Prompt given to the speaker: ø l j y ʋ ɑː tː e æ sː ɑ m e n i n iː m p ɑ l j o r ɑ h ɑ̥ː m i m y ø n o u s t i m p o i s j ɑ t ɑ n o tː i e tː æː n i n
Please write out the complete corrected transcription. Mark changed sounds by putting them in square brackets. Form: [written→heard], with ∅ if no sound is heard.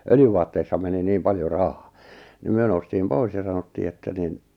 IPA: ø l j y ʋ ɑː tː e [æ→i] sː ɑ m e n i n iː m p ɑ l j o r ɑ h ɑ̥ː [m→n] i m y ø n o u s t [i→iː] m p o i s j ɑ [t→s] ɑ n o tː [i→iː] e tː [æː→æ] n i n